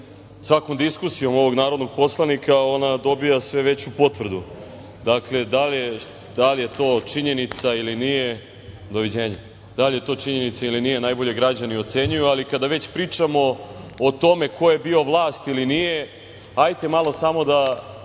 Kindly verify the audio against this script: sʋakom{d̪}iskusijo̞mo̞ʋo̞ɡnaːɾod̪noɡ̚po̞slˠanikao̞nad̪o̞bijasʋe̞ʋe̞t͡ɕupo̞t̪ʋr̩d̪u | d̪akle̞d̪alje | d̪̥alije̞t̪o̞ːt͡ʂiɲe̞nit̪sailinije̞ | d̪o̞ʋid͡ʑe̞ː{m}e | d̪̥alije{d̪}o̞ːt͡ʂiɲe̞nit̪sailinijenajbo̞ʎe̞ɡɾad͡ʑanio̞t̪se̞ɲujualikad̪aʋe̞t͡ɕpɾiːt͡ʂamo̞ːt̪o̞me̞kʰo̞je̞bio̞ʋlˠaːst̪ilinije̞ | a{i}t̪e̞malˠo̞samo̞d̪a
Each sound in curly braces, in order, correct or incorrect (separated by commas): correct, incorrect, incorrect, incorrect